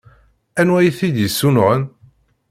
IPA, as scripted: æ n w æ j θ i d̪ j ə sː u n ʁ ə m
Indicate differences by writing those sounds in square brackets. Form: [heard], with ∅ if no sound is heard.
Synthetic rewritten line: æ n w æ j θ i d̪ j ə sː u n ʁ ə [n]